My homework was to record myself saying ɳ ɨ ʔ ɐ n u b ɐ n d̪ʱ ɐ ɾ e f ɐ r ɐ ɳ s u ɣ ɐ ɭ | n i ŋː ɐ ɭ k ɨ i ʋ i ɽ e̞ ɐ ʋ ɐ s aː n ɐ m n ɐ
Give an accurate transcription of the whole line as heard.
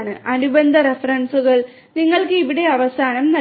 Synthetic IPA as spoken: ɳ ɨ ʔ ɐ n u b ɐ n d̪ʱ ɐ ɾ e f ɐ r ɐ ɳ s u ɣ ɐ ɭ | n i ŋː ɐ ɭ k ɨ i ʋ i ɽ e̞ ɐ ʋ ɐ s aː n ɐ m n ɐ